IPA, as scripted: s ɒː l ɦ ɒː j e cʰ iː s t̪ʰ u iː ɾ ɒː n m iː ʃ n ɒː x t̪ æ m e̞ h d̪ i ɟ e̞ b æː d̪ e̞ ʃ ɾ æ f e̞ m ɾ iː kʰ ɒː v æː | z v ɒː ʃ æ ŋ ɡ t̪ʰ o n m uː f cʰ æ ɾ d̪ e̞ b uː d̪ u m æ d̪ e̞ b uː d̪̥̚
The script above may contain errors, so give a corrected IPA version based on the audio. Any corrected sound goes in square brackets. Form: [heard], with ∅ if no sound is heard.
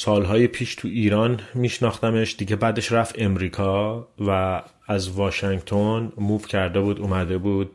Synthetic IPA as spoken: s ɒː l ɦ ɒː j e [pʰ] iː [ʃ] t̪ʰ u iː ɾ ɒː n m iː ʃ n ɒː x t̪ æ m e̞ [ʃ] d̪ i ɟ e̞ b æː d̪ e̞ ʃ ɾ æ f e̞ m ɾ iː kʰ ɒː v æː | z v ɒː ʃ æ ŋ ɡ t̪ʰ o n m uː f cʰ æ ɾ d̪ e̞ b uː d̪ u m æ d̪ e̞ b uː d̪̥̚